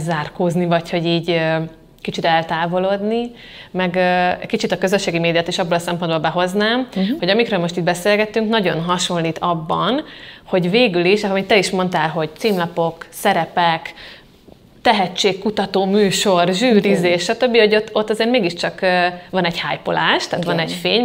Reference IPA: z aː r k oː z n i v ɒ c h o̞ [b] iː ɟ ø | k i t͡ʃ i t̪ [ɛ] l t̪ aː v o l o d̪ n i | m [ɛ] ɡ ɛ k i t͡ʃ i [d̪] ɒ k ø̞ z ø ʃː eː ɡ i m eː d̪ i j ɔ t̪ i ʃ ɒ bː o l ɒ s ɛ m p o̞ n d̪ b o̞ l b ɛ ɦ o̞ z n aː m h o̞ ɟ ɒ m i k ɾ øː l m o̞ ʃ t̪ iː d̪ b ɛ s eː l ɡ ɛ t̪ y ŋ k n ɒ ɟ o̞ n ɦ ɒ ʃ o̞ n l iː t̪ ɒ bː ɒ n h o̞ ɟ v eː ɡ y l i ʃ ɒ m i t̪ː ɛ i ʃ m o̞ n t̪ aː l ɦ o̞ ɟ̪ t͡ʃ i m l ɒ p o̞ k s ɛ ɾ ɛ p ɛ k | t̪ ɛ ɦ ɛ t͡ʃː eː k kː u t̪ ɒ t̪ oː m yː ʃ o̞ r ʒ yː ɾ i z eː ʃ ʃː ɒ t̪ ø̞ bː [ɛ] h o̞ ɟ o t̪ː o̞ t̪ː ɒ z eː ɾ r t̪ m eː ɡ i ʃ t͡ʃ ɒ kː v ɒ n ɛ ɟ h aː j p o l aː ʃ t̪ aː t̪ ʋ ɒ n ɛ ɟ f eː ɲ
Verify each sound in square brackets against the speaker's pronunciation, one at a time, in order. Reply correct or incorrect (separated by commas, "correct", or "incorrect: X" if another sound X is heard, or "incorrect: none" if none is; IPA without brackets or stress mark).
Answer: incorrect: ɟ, correct, correct, incorrect: t̪, incorrect: i